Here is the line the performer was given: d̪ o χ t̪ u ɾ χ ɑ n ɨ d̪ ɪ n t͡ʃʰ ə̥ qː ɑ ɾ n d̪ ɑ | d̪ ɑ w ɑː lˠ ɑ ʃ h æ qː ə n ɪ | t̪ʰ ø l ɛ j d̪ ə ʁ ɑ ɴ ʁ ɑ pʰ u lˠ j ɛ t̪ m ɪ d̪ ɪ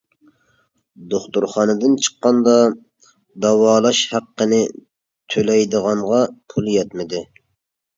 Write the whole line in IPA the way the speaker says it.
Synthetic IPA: d̪ o χ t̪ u ɾ χ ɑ n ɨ d̪ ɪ n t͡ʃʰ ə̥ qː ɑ n d̪ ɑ | d̪ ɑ w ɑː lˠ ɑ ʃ h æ qː ə n ɪ | t̪ʰ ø l ɛ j d̪ ə ʁ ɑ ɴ ʁ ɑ pʰ u lˠ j ɛ t̪ m ɪ d̪ ɪ